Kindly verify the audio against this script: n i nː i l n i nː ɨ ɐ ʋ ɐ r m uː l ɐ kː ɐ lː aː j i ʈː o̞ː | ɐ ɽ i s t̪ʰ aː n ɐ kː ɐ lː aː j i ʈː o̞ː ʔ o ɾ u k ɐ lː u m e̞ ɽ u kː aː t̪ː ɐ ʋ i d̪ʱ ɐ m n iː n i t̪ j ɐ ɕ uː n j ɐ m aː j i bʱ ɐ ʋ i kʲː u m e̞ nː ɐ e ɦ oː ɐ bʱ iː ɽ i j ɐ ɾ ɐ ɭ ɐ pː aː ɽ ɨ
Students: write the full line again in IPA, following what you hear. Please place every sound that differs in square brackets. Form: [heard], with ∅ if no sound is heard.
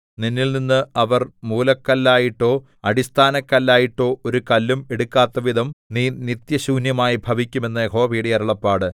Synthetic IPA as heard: n i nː i l n i nː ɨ ɐ ʋ ɐ r m uː l ɐ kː ɐ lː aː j i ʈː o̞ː | ɐ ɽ i s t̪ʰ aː n ɐ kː ɐ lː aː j i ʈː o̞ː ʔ o ɾ u k ɐ lː u m e̞ ɽ u kː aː t̪ː ɐ ʋ i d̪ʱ ɐ m n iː n i t̪ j ɐ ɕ uː n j ɐ m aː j i bʱ ɐ ʋ i kʲː u m e̞ nː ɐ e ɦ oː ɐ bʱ iː ɽ i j ɐ ɾ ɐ ɭ ɐ pː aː ɽ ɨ